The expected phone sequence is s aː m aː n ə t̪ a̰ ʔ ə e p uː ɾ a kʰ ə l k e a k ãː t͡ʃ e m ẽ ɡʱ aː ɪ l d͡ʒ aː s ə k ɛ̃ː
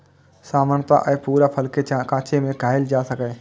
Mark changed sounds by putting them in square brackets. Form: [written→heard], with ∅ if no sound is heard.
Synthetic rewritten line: s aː m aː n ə t̪ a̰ ʔ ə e p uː ɾ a [kʰ→pʰ] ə l k e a k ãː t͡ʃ e m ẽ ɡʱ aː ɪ l d͡ʒ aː s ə k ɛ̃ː